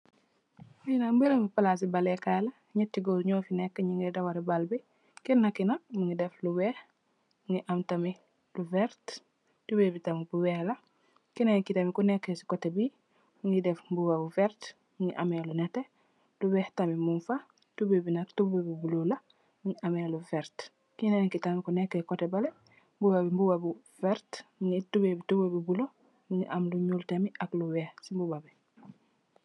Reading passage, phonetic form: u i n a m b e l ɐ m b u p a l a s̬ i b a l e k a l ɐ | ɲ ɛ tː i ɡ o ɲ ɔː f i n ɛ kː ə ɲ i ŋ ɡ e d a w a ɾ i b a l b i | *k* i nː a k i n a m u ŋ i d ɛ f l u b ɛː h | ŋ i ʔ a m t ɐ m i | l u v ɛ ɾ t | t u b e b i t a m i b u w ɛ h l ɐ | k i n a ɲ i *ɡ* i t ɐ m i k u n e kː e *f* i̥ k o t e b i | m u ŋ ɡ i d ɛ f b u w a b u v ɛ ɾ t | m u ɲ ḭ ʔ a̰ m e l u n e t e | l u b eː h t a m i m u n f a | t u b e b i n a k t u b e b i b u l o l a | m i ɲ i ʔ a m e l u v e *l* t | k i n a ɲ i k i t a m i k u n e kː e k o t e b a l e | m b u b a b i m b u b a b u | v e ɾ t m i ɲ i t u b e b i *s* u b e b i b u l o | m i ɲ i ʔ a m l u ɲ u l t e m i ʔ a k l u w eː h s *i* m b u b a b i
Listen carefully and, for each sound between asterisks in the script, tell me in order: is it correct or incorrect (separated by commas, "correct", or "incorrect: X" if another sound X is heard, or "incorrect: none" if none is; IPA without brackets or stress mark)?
correct, incorrect: k, incorrect: s, incorrect: ɾ, incorrect: t, correct